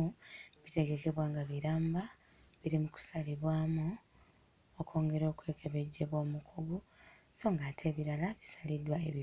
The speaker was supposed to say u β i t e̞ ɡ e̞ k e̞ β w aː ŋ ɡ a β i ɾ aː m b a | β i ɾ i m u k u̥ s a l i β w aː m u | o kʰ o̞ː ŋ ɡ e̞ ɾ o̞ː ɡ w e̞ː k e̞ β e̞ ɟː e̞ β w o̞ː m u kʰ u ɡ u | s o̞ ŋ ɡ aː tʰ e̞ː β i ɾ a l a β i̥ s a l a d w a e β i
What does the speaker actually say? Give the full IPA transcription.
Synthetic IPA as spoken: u β i t e̞ ɡ e̞ k e̞ β w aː ŋ ɡ a β i ɾ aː m b a | β i ɾ i m u k u̥ s a l i β w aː m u | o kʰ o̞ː ŋ ɡ e̞ ɾ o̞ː k w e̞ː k e̞ β e̞ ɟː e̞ β w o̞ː m u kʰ u ɡ u | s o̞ ŋ ɡ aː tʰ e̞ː β i ɾ a l a β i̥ s a l i d w a e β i